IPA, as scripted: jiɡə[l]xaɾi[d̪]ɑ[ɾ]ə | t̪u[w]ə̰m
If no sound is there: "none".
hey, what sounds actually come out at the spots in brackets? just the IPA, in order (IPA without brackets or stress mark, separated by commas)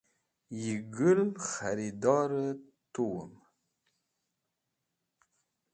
l, d̪, ɾ, w